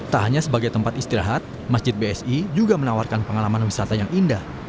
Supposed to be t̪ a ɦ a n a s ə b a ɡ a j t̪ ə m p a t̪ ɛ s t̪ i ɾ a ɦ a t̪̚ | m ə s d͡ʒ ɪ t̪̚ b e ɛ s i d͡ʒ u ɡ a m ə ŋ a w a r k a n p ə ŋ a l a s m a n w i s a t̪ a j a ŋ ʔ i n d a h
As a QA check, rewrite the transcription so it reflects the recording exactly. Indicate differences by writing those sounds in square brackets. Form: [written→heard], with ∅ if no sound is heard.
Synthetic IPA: t̪ a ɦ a [n→ɲ] a s ə b a ɡ a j t̪ ə m p a t̪ [ɛ→i] s t̪ i ɾ a ɦ a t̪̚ | m [ə→a] s d͡ʒ ɪ t̪̚ b e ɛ s i d͡ʒ u ɡ a m ə [ŋ→n] a w a r k a n p ə ŋ a l a [s→∅] m a n w i s a t̪ a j a ŋ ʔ i n d a h

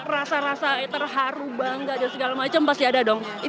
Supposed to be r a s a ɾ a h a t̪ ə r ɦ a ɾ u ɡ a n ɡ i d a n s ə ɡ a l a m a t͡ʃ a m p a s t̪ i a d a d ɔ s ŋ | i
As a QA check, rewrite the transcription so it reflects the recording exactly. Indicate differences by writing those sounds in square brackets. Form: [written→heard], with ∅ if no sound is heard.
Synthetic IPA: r a s a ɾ a [h→s] a t̪ ə r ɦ a ɾ u [ɡ→b] a [n→ŋ] ɡ [i→a] d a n s ə ɡ a l a m a t͡ʃ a m p a s t̪ i a d a d ɔ [s→∅] ŋ | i

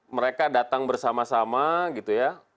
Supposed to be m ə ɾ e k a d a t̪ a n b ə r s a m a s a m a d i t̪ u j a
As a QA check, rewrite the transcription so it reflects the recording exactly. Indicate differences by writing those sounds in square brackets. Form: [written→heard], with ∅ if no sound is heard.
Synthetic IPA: m ə ɾ e k a d a t̪ a [n→ŋ] b ə r s a m a s a m a [d→ɡ] i t̪ u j a

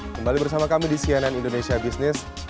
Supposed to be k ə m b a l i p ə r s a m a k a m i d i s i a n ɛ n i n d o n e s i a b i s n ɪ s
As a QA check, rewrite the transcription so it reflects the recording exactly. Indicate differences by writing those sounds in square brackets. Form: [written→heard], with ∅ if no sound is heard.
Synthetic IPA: k ə m b a l i [p→b] ə r s a m a k a m i d i s i a n [ɛ→a] n i n d o n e s i a b i s n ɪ s

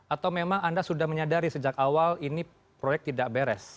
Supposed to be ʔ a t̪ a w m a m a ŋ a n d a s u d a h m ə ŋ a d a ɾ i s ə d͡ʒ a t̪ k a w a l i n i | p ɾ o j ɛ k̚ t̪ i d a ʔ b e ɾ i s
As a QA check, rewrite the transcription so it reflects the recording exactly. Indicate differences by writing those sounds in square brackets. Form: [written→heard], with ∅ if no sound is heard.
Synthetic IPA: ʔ a t̪ a w m [a→e] m a ŋ a n d a s u d a h m ə [ŋ→ɲ] a d a ɾ i s ə d͡ʒ a [t̪→∅] k a w a l i n i | p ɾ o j ɛ k̚ t̪ i d a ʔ b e ɾ [i→ɛ] s

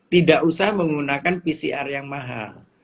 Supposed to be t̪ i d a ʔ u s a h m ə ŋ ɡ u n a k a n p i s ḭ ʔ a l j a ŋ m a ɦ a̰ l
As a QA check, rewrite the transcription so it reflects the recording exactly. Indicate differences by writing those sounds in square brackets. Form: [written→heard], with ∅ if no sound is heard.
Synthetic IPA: t̪ i d a ʔ u s a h m ə ŋ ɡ u n a k a n p i s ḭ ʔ a [l→r] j a ŋ m a ɦ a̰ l

